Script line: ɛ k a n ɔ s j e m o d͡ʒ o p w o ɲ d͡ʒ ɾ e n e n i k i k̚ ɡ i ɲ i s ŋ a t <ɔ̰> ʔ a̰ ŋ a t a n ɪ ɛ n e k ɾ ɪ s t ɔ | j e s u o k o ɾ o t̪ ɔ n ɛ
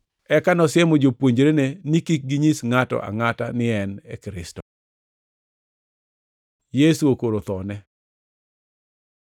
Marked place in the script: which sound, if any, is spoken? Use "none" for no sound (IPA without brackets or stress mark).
ɔ̰